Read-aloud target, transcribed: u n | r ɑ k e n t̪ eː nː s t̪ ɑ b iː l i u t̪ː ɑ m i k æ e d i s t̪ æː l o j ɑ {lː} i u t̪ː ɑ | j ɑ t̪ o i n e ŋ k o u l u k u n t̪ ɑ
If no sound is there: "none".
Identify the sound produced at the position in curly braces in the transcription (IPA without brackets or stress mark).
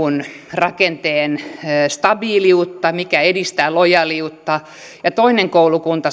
l